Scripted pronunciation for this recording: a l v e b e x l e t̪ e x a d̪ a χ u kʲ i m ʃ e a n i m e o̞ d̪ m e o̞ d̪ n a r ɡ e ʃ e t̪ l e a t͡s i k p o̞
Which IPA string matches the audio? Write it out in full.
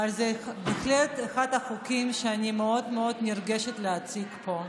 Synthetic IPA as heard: a l z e b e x l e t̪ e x a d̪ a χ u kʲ i m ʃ e a n i m e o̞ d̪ m e o̞ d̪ n i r ɡ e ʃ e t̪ l e a t͡s i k p o̞